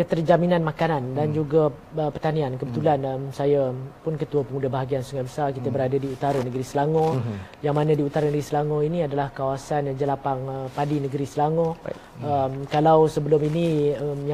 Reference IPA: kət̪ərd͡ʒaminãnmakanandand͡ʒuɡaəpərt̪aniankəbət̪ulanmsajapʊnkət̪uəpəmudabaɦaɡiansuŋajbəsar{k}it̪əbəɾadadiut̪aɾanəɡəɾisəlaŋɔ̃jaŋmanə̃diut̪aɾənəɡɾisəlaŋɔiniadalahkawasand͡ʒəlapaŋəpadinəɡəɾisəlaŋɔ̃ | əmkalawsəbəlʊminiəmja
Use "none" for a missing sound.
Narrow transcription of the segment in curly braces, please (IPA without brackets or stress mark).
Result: k